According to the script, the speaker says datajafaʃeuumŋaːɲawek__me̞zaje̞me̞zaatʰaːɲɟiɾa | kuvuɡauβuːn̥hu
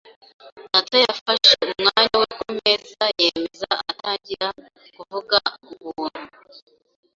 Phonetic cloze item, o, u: o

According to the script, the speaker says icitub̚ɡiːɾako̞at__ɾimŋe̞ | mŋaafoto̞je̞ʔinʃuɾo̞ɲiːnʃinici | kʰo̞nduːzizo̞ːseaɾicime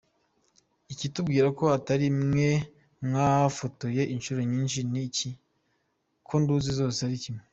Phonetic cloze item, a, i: a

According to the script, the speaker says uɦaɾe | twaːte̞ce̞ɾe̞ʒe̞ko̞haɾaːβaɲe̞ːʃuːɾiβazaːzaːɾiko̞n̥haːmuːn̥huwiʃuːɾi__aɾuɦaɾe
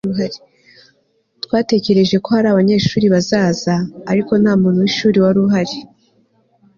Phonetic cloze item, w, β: w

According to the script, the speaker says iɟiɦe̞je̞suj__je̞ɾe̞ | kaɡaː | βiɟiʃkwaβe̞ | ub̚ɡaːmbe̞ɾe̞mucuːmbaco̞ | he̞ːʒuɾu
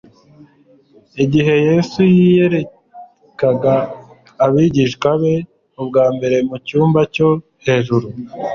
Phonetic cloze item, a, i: i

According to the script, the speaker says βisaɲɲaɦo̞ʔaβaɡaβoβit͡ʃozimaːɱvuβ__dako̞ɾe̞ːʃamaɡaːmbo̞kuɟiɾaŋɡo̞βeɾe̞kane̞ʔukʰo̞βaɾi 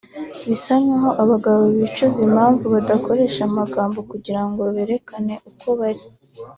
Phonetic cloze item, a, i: a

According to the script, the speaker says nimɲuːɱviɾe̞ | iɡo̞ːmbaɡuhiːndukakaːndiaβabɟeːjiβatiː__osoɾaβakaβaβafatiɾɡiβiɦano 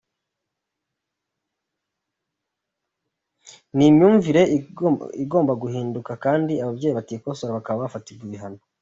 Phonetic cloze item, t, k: k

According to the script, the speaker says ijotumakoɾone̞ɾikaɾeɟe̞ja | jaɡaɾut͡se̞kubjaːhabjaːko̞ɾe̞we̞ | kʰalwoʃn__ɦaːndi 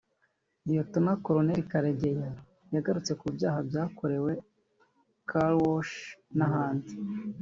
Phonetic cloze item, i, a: a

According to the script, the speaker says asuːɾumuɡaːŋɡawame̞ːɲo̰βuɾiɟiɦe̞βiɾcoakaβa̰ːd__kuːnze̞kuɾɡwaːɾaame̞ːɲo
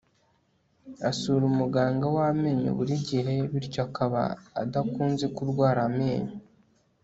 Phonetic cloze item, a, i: a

